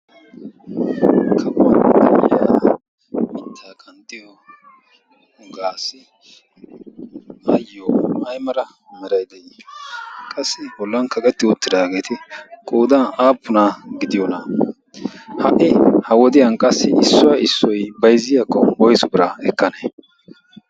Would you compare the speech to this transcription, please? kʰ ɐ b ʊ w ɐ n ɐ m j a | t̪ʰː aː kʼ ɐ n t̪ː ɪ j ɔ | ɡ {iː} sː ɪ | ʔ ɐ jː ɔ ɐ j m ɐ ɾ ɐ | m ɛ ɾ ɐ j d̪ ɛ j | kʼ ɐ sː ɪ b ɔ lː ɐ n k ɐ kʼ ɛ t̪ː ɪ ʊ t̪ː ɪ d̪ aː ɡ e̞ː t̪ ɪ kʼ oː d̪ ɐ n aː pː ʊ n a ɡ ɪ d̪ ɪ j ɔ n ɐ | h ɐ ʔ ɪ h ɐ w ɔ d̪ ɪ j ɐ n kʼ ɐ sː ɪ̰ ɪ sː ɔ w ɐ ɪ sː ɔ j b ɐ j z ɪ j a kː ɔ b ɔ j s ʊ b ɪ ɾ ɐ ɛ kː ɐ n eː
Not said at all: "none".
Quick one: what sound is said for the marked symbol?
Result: aː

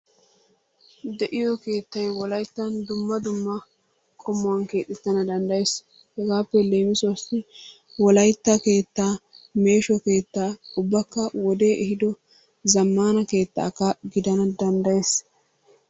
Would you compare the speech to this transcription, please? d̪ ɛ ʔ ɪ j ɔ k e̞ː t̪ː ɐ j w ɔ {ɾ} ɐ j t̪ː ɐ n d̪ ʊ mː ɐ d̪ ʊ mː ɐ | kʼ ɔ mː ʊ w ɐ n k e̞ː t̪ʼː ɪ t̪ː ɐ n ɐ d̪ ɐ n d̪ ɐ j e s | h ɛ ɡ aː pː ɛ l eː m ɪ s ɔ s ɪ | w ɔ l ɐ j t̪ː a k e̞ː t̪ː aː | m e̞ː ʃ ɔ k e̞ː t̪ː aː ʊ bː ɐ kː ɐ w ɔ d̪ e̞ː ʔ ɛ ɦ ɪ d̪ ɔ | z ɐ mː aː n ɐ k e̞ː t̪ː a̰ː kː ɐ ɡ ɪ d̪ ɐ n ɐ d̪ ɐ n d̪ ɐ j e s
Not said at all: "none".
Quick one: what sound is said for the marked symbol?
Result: l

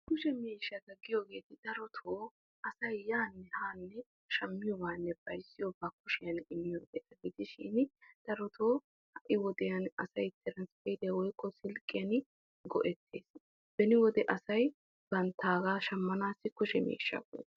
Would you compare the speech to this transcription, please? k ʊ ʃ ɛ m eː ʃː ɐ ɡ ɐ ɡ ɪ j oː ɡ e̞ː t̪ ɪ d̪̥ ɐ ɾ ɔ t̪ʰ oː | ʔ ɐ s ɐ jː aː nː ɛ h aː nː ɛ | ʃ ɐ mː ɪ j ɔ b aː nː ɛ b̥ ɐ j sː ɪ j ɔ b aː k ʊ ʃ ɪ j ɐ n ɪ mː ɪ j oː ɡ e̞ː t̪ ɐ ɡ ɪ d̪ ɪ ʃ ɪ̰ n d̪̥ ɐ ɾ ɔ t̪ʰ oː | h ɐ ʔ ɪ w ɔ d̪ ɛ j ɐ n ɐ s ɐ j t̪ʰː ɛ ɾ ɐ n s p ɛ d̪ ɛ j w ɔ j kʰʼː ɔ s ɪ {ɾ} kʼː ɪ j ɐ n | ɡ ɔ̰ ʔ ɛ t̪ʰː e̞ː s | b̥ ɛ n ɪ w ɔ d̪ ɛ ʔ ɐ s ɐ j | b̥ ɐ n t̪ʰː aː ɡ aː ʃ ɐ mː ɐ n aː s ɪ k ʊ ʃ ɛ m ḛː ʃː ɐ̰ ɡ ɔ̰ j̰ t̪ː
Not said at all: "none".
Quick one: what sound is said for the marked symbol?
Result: l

